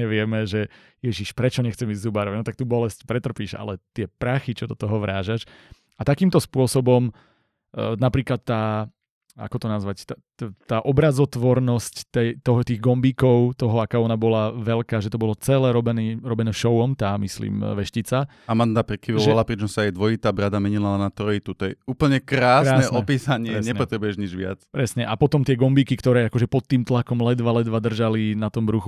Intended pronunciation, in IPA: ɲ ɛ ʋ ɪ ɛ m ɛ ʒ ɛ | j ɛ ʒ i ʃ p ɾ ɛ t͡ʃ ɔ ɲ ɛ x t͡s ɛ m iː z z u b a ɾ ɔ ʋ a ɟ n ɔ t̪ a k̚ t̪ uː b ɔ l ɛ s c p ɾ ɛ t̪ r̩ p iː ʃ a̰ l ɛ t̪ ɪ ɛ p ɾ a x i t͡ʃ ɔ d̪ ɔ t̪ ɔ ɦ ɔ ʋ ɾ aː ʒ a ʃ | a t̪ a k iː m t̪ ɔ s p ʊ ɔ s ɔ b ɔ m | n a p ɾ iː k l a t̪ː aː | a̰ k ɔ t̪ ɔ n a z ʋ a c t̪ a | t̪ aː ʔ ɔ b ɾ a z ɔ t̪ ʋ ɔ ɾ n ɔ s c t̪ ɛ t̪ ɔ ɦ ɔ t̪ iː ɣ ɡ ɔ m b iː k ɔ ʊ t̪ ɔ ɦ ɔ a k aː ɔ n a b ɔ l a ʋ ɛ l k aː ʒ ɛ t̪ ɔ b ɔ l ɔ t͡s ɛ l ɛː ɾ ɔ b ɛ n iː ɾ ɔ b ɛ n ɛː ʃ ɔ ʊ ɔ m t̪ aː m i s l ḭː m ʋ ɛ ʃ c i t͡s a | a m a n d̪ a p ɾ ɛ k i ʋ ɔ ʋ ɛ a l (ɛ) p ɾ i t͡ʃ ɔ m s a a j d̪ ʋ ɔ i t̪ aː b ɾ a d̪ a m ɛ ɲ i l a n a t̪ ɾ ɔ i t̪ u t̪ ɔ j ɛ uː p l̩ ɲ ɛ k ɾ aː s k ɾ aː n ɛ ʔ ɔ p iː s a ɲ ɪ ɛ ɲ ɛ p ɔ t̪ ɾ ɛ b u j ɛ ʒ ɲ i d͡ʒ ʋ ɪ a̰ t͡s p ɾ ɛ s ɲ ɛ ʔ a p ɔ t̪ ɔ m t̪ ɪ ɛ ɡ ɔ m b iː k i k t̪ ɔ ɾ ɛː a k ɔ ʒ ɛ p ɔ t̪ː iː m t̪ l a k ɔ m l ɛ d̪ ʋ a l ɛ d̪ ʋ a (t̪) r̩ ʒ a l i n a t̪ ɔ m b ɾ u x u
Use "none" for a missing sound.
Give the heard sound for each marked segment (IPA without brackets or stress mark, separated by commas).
a, d̪